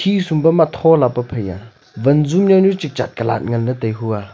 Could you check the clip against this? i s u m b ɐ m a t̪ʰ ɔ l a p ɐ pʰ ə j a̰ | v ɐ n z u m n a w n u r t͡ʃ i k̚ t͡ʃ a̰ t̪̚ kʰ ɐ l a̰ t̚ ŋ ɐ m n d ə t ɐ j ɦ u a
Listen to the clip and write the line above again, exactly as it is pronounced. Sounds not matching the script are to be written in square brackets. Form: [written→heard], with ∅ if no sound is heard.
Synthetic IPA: i s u m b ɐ m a t̪ʰ ɔ l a p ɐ pʰ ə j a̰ | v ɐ n z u m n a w n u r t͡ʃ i k̚ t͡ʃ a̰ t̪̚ [kʰ→k] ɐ l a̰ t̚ ŋ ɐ [m→∅] n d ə t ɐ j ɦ u a

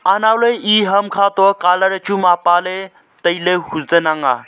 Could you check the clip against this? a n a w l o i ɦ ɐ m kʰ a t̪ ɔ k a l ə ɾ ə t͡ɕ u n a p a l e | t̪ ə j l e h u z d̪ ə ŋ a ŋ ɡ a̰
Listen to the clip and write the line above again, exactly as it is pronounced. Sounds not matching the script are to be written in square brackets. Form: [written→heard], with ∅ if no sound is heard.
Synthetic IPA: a n a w l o i ɦ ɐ m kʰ a t̪ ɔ k a l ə ɾ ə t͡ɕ u [n→m] a p a l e | t̪ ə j l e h u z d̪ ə [ŋ→n] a ŋ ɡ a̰

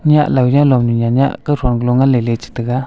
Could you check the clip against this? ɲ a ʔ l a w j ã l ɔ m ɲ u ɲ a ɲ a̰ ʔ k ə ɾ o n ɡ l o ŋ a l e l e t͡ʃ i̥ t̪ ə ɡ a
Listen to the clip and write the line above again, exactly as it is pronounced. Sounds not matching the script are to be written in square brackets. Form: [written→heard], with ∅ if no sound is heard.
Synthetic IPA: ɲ a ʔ l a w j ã l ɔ m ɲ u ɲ a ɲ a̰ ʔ k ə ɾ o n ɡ l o ŋ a l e l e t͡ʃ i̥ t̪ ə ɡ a

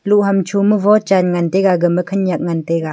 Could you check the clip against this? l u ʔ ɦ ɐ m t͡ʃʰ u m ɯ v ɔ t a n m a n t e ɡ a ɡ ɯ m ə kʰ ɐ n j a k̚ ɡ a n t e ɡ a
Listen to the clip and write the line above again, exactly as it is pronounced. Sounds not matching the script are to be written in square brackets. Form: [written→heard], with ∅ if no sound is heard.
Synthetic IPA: l u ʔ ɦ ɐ m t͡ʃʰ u m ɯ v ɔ [t→t͡ʃ] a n [m→ŋ] a n t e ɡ a ɡ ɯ m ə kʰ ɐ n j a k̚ [ɡ→ŋ] a n t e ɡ a

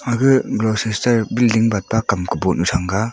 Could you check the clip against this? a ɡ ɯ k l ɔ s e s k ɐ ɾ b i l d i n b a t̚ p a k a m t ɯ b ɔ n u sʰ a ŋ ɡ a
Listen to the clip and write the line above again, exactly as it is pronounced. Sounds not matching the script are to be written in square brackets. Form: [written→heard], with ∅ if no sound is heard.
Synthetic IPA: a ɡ ɯ [k→ɡ] l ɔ s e s [k→t] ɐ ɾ b i l d i [n→ŋ] b a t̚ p a k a m [t→k] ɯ b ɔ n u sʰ a ŋ ɡ a

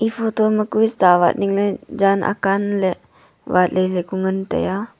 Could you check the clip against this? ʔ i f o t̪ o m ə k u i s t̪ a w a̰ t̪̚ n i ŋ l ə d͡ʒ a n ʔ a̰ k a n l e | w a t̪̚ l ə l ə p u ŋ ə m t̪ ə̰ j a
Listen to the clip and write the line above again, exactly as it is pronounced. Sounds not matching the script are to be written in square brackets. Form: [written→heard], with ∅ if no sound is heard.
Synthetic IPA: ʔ i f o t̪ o m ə k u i s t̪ a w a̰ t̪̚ n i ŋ l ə d͡ʒ a n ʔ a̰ k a n l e | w a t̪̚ l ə l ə [p→k] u ŋ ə [m→n] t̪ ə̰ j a

